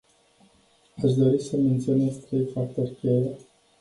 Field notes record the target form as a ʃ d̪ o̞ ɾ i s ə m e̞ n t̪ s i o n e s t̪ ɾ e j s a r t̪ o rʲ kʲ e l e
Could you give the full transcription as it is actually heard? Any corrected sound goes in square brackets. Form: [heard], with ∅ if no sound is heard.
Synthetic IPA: a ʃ d̪ o̞ ɾ i s ə m e̞ n t̪ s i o n e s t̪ ɾ e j [f] a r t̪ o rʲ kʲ e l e